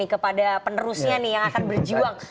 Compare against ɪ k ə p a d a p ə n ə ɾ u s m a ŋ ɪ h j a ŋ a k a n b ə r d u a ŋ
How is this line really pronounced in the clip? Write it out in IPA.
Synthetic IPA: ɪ k ə p a d a p ə n ə ɾ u s ɲ a n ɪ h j a ŋ a k a n b ə r d͡ʒ u a ŋ